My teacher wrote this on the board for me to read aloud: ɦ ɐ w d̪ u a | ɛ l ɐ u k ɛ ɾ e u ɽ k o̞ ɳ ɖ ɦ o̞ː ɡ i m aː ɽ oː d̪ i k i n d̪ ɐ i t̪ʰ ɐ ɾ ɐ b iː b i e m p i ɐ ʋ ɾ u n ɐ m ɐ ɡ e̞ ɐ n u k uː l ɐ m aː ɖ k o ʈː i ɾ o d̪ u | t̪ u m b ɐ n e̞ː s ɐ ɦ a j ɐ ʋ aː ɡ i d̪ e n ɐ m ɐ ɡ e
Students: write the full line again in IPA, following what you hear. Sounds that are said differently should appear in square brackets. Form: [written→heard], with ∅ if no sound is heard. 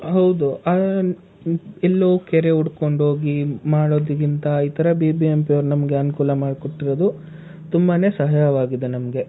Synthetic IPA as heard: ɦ ɐ w d̪ u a | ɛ [l→lː] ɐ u k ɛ ɾ e u ɽ k o̞ ɳ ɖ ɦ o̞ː ɡ i m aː ɽ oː d̪ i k i n [d̪→t̪] ɐ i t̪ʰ ɐ ɾ ɐ b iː b i e m p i ɐ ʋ ɾ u n ɐ m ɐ ɡ e̞ ɐ n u k uː l ɐ m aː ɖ k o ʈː i ɾ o d̪ u | t̪ u m b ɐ n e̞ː s ɐ ɦ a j ɐ ʋ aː ɡ i d̪ e n ɐ m ɐ ɡ e

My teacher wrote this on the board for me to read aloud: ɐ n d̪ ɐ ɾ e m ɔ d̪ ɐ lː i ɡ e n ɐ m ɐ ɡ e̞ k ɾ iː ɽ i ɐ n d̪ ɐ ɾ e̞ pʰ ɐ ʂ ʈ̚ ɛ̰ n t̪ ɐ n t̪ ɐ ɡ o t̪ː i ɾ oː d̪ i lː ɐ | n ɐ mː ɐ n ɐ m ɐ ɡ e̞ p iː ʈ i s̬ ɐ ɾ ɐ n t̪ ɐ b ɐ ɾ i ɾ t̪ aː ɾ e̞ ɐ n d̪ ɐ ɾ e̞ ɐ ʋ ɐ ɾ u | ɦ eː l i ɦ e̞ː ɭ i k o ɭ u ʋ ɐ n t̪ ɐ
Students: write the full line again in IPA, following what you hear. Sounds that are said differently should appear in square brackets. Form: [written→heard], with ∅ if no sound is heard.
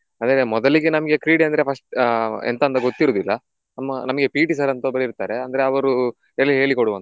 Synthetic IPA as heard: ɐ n d̪ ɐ ɾ e m ɔ d̪ ɐ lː i ɡ e n ɐ m ɐ ɡ e̞ k ɾ iː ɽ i ɐ n d̪ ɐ ɾ e̞ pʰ ɐ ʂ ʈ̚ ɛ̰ n t̪ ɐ n t̪ ɐ ɡ o t̪ː i ɾ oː d̪ i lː ɐ | n ɐ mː ɐ n ɐ m ɐ ɡ e̞ p iː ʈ i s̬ ɐ ɾ ɐ n t̪ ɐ b ɐ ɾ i ɾ t̪ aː ɾ e̞ ɐ n d̪ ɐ ɾ e̞ ɐ ʋ ɐ ɾ u | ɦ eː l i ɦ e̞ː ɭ i k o [ɭ→ɽ] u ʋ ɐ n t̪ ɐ

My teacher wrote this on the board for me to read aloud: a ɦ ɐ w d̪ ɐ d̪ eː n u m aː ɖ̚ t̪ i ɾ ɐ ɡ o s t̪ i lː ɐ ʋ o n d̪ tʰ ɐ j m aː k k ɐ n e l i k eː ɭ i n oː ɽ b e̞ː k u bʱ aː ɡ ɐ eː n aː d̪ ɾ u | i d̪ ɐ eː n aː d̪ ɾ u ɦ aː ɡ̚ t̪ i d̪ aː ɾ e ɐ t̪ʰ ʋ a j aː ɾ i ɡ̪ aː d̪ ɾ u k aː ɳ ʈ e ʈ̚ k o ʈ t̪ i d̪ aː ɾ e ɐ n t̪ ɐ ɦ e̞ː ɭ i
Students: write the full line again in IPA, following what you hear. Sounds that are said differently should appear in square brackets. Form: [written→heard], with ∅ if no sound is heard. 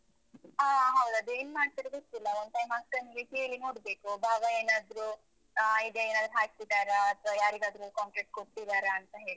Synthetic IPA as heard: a ɦ ɐ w d̪ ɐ d̪ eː n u m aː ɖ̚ t̪ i ɾ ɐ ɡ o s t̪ i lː ɐ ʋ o n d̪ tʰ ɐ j m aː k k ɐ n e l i k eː ɭ i n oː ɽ b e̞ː k u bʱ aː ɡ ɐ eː n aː d̪ ɾ u | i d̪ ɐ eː n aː d̪ ɾ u ɦ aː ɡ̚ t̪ i d̪ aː ɾ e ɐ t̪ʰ ʋ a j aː ɾ i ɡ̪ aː d̪ ɾ u k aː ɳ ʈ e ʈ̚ k o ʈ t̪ i d̪ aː ɾ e ɐ n t̪ ɐ ɦ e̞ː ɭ i

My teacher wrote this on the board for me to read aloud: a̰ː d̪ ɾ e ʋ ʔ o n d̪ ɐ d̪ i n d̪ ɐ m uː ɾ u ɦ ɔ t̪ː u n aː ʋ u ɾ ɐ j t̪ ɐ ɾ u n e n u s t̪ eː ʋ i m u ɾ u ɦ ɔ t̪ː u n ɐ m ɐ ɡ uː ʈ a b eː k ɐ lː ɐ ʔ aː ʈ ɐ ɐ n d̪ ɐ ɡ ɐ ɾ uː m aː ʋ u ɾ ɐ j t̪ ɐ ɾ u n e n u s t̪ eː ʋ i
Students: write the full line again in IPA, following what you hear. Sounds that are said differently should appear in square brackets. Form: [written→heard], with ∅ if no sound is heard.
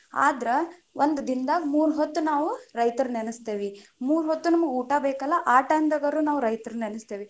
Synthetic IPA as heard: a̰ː d̪ ɾ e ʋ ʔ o n d̪ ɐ d̪ i n d̪ ɐ m uː ɾ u ɦ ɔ t̪ː u n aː ʋ u ɾ ɐ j t̪ ɐ ɾ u n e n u s t̪ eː ʋ i m [u→uː] ɾ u ɦ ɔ t̪ː u n ɐ m ɐ ɡ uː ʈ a b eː k ɐ lː ɐ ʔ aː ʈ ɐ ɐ n d̪ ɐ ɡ ɐ ɾ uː [m→n] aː ʋ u ɾ ɐ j t̪ ɐ ɾ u n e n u s t̪ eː ʋ i

